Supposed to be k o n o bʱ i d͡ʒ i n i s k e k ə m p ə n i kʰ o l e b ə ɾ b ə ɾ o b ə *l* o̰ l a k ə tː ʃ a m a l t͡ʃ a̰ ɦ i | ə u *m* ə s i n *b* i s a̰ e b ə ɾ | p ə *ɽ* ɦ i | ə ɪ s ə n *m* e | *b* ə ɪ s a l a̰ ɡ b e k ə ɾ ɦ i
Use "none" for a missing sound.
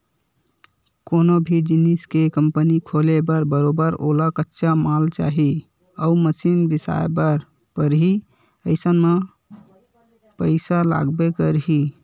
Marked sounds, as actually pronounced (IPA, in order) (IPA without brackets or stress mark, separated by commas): ɾ, m, b, ɾ, m, p